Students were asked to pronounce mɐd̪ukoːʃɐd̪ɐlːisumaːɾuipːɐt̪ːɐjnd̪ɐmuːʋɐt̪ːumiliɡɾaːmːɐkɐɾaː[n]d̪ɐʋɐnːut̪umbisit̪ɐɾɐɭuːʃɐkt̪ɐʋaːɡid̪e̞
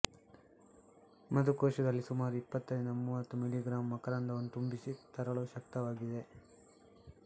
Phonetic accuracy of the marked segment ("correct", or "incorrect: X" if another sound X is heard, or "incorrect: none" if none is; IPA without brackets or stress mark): correct